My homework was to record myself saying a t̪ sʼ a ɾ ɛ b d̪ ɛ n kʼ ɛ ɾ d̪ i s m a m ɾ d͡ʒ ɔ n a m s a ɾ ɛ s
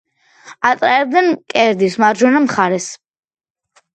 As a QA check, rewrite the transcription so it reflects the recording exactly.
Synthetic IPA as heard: a t̪ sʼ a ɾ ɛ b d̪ ɛ n kʼ ɛ ɾ d̪ i s m a ɾ d͡ʒ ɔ n a m χ a ɾ ɛ s